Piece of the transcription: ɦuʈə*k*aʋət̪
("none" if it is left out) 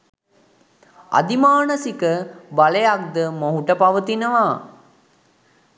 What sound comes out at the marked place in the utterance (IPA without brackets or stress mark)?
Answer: p